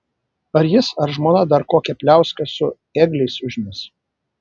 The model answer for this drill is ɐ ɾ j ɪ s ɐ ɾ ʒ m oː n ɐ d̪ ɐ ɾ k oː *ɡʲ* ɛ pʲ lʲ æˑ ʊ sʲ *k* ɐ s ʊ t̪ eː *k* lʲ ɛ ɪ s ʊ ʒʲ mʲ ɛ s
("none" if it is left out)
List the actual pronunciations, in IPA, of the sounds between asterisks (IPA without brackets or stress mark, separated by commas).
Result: kʲ, k, ɡ